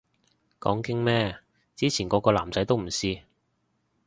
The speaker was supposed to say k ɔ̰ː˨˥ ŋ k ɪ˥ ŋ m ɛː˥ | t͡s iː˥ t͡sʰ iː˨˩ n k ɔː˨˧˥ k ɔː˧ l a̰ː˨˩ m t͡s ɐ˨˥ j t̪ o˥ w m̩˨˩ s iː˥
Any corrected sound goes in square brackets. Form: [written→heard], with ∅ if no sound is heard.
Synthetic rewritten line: k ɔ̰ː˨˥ ŋ k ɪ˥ ŋ m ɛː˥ | t͡s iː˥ t͡sʰ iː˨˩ n k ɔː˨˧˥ k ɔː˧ l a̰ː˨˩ m t͡s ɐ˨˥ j t̪ o˥ w m̩˨˩ s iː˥